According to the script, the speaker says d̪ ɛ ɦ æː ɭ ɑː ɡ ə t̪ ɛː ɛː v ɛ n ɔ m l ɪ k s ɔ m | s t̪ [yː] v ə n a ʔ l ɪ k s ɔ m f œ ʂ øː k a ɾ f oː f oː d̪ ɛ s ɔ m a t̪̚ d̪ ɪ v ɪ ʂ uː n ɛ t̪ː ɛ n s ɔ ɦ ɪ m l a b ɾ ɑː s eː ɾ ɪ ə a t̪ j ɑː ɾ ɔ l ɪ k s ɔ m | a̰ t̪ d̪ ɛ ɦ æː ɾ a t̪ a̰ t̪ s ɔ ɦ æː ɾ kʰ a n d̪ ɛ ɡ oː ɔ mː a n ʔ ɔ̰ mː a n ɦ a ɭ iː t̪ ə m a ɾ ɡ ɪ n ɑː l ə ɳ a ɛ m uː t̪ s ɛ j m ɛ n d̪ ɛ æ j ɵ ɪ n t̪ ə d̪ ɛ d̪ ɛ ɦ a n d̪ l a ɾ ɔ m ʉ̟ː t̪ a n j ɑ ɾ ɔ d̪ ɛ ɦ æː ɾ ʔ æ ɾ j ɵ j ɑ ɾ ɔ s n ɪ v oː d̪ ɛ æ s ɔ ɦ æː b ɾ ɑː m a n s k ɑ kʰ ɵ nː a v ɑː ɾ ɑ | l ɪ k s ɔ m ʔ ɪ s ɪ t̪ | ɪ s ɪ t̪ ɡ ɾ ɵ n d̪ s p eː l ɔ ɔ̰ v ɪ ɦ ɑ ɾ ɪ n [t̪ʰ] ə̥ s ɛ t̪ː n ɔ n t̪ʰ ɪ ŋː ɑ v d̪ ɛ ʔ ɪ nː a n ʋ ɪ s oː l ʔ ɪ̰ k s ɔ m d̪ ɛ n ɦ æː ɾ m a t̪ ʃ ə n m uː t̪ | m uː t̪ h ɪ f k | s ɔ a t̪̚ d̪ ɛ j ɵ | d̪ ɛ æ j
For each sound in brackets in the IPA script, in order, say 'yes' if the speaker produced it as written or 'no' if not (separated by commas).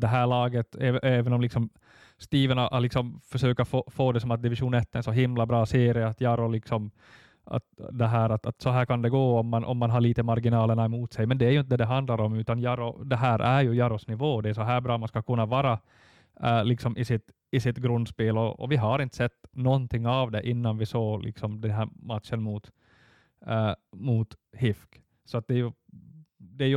no, no